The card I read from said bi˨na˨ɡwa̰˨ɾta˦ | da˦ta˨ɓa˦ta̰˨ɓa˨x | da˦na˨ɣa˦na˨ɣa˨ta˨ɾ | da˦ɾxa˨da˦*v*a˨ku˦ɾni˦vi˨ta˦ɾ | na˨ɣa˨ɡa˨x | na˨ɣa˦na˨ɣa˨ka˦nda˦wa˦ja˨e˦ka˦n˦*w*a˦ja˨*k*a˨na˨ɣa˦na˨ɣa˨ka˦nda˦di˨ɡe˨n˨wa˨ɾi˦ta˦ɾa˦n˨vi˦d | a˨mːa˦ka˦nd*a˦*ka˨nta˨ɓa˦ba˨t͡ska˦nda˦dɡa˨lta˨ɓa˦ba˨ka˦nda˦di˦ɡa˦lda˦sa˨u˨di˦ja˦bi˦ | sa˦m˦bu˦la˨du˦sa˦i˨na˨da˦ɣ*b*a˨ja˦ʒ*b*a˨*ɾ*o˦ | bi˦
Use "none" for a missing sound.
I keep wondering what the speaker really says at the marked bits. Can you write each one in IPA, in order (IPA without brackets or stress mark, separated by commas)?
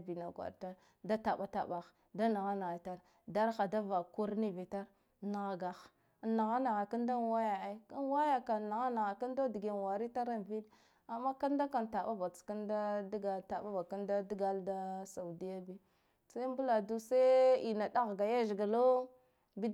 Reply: v, w, k, a˦, ɡ, ɡ, l